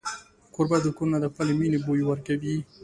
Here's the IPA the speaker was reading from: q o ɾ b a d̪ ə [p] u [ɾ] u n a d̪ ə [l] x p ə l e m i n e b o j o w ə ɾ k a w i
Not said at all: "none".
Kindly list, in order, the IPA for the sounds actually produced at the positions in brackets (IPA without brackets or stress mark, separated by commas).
k, ɾ, none